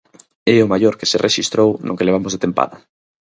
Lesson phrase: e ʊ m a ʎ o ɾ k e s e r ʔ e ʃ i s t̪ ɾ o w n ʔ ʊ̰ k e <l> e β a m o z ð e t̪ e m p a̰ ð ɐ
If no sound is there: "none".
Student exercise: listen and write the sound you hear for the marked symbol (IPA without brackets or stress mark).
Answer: l